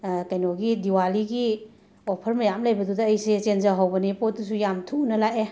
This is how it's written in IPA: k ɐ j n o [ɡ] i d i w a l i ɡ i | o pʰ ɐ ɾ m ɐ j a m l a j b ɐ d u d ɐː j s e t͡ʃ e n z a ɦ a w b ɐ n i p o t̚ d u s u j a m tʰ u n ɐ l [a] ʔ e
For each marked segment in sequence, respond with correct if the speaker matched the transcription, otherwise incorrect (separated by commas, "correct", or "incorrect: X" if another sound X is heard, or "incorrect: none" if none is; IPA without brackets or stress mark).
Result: correct, correct